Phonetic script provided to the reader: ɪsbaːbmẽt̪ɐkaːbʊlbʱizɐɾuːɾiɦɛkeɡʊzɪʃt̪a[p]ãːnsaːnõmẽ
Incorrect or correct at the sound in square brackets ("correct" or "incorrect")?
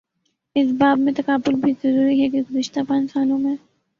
correct